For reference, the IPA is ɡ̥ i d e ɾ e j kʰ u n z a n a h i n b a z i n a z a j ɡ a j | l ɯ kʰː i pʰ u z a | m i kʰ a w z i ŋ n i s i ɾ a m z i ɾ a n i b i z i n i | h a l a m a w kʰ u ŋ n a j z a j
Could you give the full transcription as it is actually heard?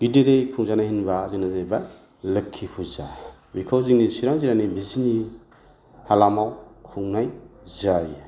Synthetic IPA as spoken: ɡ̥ i d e ɾ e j kʰ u ŋ z a n a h i n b a z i n a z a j b a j | l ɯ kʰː i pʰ u z a | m i kʰ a w z i ŋ n i s i ɾ a ŋ z i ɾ a n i b i z i n i | h a l a m a w kʰ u ŋ n a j z a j

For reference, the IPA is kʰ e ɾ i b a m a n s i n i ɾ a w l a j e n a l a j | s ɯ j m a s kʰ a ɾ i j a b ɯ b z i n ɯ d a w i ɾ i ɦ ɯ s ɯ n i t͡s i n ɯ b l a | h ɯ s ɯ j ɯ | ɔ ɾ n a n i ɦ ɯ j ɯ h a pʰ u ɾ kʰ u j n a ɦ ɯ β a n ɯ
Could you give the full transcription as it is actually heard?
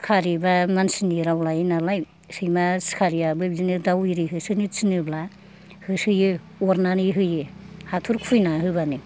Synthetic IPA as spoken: kʰ a ɾ i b a m a n s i n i ɾ a w l a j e n a l a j | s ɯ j m a s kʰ a ɾ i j a b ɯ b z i n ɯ d a w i ɾ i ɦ ɯ s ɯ n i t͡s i n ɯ b l a | h ɯ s ɯ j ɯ | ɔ ɾ n a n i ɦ ɯ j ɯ h a tʰ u ɾ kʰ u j n a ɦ ɯ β a n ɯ

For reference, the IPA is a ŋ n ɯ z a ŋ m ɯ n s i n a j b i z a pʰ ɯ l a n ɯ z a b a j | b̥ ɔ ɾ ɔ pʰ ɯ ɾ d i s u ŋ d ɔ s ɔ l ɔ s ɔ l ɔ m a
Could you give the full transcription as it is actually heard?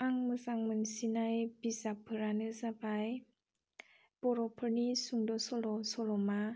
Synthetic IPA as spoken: a ŋ m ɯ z a ŋ m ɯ n s i n a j b i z a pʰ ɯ ɾ a n ɯ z a b a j | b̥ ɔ ɾ ɔ pʰ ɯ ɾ n i s u ŋ d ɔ s ɔ l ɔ s ɔ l ɔ m a

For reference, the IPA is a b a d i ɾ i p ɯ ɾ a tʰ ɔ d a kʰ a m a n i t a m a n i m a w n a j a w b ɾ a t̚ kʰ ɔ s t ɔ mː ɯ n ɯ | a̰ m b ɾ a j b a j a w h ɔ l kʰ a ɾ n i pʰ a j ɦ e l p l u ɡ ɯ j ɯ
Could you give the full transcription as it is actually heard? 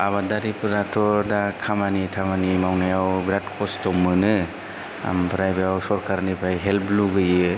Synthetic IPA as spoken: a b a d a ɾ i p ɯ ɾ a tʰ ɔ d a kʰ a m a n i tʰ a m a n i m a w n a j a w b ɾ a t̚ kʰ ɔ s t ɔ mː ɯ n ɯ | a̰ m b ɾ a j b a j a w s ɔ ɾ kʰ a ɾ n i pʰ a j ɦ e l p l u ɡ ɯ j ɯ

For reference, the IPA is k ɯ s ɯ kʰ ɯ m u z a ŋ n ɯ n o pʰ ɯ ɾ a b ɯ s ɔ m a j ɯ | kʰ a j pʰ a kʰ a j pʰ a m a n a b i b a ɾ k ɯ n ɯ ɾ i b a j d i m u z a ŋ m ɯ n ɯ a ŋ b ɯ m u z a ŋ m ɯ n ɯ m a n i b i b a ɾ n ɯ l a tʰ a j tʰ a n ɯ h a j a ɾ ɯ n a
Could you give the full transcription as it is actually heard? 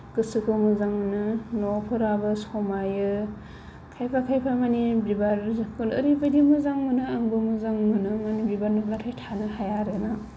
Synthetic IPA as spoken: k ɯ s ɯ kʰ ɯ m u z a ŋ n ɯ n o pʰ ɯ ɾ a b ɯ s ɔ m a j ɯ | kʰ a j pʰ a kʰ a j pʰ a m a n i b i b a ɾ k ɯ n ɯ ɾ i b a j d i m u z a ŋ m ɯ n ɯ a ŋ b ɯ m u z a ŋ m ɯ n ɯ m a n i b i b a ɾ n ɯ l a tʰ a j tʰ a n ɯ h a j a ɾ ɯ n a

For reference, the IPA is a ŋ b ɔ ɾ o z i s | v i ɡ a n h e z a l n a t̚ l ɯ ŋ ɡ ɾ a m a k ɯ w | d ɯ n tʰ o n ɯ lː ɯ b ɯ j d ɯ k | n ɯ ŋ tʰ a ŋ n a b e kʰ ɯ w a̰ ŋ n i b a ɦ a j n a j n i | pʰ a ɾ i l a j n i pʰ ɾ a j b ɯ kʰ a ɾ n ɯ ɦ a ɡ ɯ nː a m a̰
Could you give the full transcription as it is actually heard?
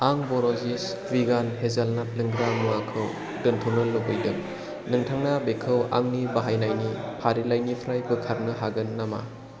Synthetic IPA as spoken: a ŋ b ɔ ɾ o z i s | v i ɡ a n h e z a l n a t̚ l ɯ ŋ ɡ ɾ a m a kʰ ɯ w | d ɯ n tʰ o n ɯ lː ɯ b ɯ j d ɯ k | n ɯ ŋ tʰ a ŋ n a b e kʰ ɯ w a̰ ŋ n i b a ɦ a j n a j n i | pʰ a ɾ i l a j n i pʰ ɾ a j b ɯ kʰ a ɾ n ɯ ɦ a ɡ ɯ nː a m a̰

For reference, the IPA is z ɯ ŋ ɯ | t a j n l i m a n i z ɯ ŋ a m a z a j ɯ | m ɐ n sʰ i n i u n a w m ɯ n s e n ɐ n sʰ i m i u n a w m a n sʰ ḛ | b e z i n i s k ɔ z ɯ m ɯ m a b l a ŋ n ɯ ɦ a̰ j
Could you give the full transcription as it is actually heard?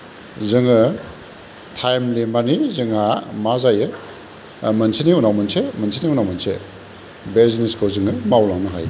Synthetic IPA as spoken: z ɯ ŋ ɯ | tʰ a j m l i m a n i z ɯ ŋ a m a z a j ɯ | m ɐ n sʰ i n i u n a w m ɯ n s e m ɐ n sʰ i n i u n a w m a n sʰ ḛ | b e z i n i s k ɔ z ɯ ŋ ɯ m a w l a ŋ n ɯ ɦ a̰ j

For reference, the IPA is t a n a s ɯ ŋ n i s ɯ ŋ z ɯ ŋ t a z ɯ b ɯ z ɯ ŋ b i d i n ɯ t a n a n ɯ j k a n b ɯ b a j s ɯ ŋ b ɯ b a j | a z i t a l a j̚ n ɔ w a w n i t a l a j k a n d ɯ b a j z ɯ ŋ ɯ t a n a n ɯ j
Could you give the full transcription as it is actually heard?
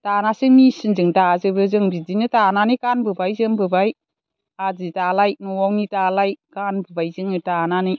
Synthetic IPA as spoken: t a n a s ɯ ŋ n i s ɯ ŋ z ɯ ŋ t a z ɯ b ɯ z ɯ ŋ b i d i n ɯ t a n a n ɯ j k a n b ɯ b a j z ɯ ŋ b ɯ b a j | a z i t a l a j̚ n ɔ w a w n i t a l a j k a n b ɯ b a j z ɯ ŋ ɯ t a n a n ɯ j

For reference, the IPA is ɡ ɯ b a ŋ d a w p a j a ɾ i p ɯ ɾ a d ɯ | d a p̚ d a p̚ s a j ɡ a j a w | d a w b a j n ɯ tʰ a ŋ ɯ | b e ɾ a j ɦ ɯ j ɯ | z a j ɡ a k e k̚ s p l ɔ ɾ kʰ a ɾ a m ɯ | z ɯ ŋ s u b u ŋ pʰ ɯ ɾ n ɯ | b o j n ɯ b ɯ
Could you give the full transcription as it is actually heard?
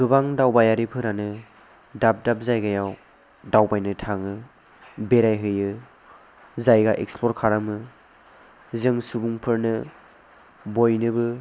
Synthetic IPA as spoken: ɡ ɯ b a ŋ d a w b a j a ɾ i pʰ ɯ ɾ a n ɯ | d a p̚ d a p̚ z a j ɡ a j a w | d a w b a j n ɯ tʰ a ŋ ɯ | b e ɾ a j ɦ ɯ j ɯ | z a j ɡ a ʔ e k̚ s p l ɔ ɾ kʰ a ɾ a m ɯ | z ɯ ŋ s u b u ŋ pʰ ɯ ɾ n ɯ | b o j n ɯ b ɯ

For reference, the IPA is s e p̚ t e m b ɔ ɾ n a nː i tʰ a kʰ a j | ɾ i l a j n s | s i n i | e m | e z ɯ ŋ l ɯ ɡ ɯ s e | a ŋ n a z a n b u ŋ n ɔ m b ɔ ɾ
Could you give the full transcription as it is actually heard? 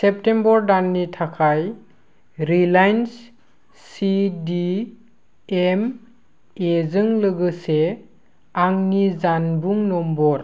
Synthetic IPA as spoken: s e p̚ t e m b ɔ ɾ d a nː i tʰ a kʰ a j | ɾ i l a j n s | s i d i | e m | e z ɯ ŋ l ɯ ɡ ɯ s e | a ŋ n i z a n b u ŋ n ɔ m b ɔ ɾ

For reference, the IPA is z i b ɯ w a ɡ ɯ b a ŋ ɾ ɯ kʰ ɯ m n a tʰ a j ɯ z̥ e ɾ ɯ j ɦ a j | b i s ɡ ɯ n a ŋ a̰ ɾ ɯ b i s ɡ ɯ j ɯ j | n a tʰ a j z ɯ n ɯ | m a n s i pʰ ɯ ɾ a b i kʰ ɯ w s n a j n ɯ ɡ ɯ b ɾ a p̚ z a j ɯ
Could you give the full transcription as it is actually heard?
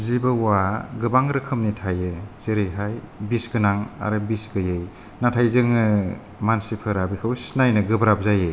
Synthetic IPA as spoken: z i b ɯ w a ɡ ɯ b a ŋ ɾ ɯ kʰ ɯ m n i tʰ a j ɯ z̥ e ɾ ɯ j ɦ a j | b i s ɡ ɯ n a ŋ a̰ ɾ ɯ b i s ɡ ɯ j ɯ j | n a tʰ a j z ɯ ŋ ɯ | m a n s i pʰ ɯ ɾ a b i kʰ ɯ w s n a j n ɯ ɡ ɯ b ɾ a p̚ z a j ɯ

